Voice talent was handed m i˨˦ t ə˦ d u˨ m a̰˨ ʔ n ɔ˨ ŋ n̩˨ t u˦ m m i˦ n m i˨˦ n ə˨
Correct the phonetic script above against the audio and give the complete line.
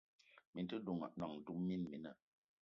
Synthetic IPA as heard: m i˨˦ t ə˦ d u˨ ŋ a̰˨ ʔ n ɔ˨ ŋ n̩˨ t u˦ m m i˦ n m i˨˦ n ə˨

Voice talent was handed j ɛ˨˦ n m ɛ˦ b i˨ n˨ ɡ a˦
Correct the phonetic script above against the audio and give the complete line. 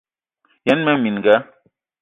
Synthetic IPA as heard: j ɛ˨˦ n m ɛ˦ m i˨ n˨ ɡ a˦

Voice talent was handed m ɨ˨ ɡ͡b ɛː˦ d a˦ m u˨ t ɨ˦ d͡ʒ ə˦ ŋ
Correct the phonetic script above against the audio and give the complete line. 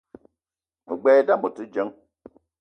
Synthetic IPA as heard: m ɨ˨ ɡ͡b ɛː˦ d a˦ m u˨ t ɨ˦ d͡ʒ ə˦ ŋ

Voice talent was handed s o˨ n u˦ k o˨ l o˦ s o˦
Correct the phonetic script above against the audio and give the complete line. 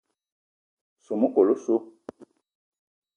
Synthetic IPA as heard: s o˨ m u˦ k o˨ l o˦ s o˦

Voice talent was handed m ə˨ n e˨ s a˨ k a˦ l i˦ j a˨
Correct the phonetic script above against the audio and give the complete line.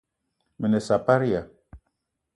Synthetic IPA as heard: m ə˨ n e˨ s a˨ p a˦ ɾ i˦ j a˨

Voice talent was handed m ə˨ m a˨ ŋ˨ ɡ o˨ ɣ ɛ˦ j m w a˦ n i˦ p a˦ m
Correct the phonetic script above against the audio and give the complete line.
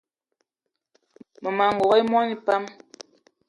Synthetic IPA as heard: m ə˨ m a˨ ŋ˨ ɡ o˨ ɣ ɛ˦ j m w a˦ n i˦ p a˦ m

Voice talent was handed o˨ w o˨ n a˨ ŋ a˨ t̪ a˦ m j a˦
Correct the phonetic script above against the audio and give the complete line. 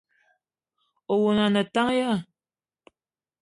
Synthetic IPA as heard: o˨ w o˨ n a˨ n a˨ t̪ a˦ ŋ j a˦

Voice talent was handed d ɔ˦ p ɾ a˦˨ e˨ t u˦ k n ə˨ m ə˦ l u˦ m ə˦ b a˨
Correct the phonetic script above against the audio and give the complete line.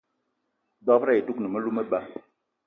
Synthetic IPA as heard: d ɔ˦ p ɾ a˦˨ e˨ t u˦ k n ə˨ m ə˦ l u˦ m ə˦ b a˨

